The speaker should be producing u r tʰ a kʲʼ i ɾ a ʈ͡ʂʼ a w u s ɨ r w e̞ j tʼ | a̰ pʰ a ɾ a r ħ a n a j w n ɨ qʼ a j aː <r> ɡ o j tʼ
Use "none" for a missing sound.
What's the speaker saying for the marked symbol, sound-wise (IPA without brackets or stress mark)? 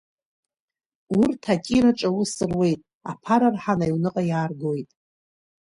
r